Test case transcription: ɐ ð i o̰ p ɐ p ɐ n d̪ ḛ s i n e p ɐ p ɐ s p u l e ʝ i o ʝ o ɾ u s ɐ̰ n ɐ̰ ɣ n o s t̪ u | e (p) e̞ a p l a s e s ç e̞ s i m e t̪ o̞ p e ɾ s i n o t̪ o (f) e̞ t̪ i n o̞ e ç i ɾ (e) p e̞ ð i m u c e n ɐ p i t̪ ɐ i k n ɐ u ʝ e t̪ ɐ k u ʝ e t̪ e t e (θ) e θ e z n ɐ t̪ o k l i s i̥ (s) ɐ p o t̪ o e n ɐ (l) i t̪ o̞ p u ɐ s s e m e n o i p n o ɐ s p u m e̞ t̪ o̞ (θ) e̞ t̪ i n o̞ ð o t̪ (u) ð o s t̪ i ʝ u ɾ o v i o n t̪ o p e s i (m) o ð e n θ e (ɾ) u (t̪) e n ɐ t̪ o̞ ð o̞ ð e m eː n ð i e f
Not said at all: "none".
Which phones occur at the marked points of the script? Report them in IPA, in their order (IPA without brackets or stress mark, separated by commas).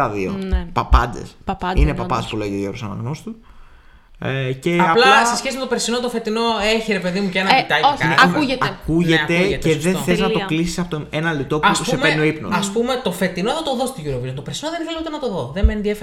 c, f, e, ð, s, l, f, o, n, l, t̪